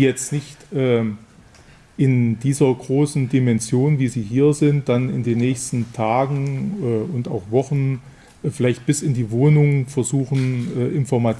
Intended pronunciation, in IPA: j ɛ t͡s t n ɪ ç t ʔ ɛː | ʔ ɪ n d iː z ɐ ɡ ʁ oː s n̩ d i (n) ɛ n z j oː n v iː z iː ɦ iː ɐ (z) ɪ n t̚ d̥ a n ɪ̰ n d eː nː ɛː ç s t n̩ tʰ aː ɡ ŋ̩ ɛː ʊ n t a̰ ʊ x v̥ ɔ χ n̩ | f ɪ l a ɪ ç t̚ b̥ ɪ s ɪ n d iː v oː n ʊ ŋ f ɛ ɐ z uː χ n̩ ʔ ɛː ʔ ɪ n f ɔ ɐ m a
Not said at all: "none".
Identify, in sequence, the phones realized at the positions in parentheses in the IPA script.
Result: m, z

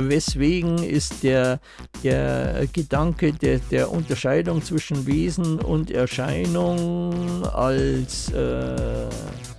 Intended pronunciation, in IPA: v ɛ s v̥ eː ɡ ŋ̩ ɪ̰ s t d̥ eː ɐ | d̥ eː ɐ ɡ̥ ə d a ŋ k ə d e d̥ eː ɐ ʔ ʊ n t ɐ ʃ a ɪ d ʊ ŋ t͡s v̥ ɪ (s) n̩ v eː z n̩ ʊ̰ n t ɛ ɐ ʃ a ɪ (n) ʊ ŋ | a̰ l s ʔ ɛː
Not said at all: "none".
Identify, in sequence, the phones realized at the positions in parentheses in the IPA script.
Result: ʃ, n

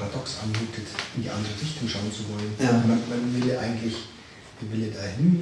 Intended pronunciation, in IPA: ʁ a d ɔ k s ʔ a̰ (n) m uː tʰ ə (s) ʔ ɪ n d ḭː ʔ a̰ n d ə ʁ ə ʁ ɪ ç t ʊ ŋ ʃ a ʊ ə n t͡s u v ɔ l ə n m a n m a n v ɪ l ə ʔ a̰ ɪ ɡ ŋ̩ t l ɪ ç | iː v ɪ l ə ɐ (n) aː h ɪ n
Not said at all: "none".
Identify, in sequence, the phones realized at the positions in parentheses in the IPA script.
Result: n, t, d

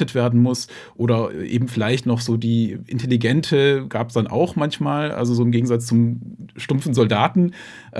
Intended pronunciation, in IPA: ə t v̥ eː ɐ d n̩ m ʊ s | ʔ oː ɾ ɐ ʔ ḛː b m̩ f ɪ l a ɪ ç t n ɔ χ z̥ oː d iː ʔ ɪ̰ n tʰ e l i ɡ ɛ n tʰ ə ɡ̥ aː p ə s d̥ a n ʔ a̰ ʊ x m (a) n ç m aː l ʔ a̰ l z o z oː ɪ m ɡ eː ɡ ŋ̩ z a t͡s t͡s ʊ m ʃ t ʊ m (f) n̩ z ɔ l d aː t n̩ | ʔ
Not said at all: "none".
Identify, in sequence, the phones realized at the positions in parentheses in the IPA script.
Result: a, f

